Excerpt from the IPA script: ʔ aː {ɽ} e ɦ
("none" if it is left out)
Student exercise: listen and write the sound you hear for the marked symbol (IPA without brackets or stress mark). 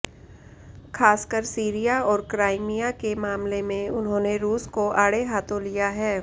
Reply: ɽ